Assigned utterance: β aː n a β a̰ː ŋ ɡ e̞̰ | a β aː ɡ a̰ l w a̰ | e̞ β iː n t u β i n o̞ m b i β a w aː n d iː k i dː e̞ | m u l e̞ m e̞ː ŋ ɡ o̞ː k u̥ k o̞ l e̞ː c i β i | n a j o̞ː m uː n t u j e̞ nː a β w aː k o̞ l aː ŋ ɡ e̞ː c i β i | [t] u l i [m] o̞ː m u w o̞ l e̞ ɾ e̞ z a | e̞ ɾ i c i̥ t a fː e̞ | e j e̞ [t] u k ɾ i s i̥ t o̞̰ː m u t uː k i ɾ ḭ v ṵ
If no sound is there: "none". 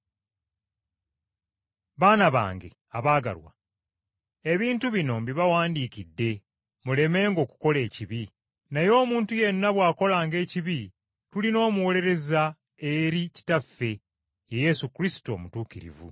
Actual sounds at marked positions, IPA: t, n, s

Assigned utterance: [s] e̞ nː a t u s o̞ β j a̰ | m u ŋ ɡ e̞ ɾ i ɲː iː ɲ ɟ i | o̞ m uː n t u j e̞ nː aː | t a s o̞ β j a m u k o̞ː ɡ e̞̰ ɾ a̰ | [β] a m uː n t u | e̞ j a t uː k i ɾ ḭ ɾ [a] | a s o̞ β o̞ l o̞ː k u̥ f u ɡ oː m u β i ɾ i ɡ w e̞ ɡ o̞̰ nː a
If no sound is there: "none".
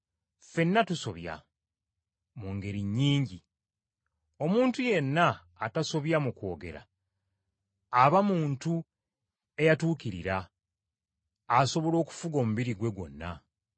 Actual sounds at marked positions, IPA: f, β, a

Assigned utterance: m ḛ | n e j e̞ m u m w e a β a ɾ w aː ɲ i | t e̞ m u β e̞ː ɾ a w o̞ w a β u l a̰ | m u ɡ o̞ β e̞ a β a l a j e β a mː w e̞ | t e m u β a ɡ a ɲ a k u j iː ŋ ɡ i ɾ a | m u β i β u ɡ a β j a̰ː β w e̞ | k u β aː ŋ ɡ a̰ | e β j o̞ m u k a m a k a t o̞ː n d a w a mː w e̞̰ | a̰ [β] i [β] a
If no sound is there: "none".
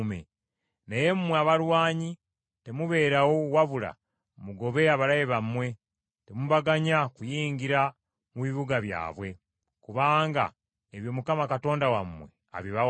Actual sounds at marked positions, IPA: β, β

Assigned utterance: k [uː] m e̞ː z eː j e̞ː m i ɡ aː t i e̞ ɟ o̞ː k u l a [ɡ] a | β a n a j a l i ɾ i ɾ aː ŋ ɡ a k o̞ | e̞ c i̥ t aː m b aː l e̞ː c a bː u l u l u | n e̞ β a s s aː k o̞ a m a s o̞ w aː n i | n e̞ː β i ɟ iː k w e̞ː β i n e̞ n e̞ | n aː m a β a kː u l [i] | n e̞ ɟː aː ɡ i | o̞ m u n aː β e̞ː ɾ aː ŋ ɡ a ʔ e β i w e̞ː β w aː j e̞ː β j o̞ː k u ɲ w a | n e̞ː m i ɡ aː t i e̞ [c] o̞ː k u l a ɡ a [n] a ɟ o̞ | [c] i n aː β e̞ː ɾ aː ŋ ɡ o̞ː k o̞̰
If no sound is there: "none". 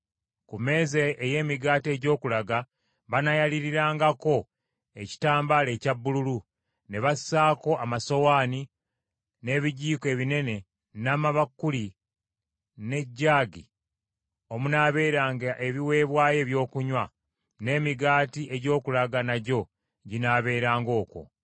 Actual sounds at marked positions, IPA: u, ɡ, i, ɟ, n, ɟ

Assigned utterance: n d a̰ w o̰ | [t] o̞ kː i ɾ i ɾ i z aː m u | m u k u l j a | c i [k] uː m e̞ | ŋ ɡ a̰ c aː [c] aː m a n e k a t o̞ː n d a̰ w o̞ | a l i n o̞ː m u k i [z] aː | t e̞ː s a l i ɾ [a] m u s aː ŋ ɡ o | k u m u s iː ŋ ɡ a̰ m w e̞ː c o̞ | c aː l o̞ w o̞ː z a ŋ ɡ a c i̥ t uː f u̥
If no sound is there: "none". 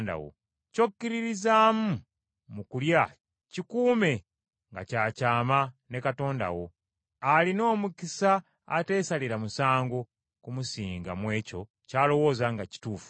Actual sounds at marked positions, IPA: c, k, c, s, a

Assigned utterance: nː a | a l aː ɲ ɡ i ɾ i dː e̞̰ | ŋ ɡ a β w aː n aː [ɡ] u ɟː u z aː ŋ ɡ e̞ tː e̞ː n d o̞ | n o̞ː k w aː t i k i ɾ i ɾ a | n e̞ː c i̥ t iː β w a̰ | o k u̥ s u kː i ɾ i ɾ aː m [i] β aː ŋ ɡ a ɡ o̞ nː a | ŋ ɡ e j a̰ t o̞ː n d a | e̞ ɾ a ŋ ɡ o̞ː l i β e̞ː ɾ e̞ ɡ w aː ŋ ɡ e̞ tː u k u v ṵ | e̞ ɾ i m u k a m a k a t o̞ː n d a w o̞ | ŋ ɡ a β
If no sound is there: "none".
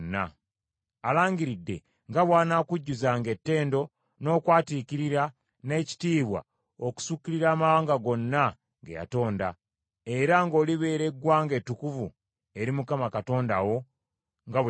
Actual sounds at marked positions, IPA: k, a

